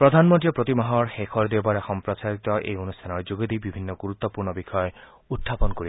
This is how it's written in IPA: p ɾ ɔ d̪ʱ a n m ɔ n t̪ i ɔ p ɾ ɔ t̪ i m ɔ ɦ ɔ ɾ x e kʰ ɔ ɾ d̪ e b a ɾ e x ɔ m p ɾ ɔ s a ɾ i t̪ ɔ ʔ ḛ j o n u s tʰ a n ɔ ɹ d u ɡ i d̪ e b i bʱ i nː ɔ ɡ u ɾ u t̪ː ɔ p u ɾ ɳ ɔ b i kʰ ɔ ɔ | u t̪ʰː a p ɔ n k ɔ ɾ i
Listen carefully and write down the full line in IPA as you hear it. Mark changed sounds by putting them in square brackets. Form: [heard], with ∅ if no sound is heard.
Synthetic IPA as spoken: p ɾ ɔ d̪ʱ a n m ɔ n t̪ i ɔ p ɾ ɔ t̪ i m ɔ ɦ ɔ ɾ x e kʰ ɔ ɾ d̪ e b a ɾ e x ɔ m p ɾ ɔ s a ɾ i t̪ ɔ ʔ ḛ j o n u s tʰ a n ɔ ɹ [d͡ʒ] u ɡ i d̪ [i] b i bʱ i nː ɔ ɡ u ɾ u t̪ː ɔ p u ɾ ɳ ɔ b i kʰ ɔ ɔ | u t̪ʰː a p ɔ n k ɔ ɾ i

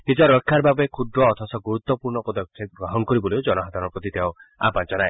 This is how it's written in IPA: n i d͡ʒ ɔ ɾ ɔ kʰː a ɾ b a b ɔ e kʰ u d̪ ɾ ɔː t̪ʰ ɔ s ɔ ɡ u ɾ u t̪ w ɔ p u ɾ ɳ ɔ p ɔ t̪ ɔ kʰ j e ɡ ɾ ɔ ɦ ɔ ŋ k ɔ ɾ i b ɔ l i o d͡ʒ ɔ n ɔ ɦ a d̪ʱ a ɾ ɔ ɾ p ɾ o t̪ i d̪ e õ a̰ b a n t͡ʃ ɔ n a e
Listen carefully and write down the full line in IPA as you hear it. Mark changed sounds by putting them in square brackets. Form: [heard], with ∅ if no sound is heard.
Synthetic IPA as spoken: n i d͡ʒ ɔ ɾ ɔ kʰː a ɾ b a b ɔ e kʰ u d̪ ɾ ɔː t̪ʰ ɔ s ɔ ɡ u ɾ u t̪ w ɔ p u ɾ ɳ ɔ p ɔ [d̪] ɔ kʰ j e ɡ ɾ ɔ ɦ ɔ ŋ k ɔ ɾ i b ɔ l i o d͡ʒ ɔ n ɔ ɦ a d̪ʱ a ɾ ɔ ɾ p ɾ [ɔ] t̪ i [t̪] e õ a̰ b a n t͡ʃ ɔ n a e

